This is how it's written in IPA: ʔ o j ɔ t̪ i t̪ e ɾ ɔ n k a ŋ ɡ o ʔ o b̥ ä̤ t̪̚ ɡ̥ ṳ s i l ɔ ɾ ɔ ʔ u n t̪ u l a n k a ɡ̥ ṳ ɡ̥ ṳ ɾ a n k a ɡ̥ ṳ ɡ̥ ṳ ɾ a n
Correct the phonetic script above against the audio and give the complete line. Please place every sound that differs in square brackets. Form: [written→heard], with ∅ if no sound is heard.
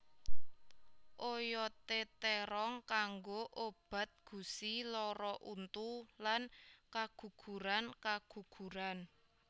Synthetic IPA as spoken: ʔ o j ɔ t̪ [i→e] t̪ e ɾ ɔ [n→ŋ] k a ŋ ɡ o ʔ o b̥ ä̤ t̪̚ ɡ̥ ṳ s i l ɔ ɾ ɔ ʔ u n t̪ u l a n k a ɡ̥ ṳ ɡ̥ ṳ ɾ a n k a ɡ̥ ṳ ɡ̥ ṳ ɾ a n